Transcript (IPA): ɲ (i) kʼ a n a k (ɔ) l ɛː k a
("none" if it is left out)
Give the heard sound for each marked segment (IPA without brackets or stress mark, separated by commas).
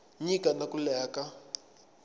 i, u